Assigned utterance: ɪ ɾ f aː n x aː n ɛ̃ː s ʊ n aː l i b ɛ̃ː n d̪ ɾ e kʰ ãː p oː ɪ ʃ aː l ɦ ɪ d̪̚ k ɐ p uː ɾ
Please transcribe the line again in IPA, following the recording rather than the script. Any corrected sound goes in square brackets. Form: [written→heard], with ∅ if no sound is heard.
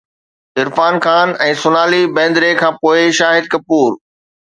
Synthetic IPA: ɪ ɾ f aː n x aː n ɛ̃ː s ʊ n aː l i b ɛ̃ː n d̪ ɾ e kʰ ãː p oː ɪ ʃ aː [l→∅] ɦ ɪ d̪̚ k ɐ p uː ɾ